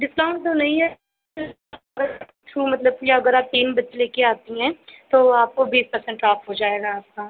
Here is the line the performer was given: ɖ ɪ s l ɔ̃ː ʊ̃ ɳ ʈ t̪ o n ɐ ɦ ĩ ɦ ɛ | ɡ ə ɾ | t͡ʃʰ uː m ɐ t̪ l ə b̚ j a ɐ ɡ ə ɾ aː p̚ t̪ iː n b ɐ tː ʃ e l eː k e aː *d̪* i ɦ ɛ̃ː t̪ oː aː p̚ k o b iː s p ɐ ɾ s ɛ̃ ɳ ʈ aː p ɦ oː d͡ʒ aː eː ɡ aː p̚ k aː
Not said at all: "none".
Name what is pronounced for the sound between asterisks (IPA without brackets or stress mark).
t̪